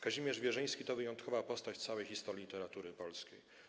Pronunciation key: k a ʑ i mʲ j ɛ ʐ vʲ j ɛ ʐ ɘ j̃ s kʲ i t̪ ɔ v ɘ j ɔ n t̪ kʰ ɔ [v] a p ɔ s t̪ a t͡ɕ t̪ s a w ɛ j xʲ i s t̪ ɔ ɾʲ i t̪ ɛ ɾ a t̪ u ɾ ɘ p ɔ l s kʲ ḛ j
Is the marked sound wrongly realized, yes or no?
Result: no